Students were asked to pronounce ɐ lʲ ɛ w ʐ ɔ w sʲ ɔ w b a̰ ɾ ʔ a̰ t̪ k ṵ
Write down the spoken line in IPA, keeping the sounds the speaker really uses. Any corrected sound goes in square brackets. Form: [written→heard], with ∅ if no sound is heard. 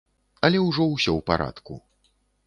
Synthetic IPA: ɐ lʲ ɛ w ʐ ɔ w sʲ ɔ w [b→p] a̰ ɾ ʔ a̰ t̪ k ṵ